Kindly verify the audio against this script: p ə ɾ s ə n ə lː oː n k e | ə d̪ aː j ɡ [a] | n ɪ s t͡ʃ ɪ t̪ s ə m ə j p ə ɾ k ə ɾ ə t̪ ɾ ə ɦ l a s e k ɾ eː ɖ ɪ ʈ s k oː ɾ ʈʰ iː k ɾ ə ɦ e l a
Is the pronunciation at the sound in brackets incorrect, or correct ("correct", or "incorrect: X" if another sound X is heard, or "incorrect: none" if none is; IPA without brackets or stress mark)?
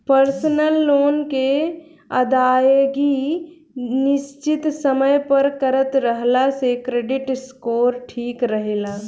incorrect: i